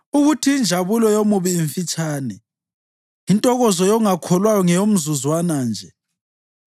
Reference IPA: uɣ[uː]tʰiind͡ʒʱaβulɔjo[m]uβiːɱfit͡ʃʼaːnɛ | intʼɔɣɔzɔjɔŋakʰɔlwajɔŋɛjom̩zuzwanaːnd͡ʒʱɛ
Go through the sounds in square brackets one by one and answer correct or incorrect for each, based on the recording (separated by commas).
incorrect, correct